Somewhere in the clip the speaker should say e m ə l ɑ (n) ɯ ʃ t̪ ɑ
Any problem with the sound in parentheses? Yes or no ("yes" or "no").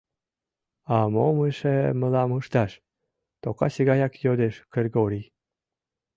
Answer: yes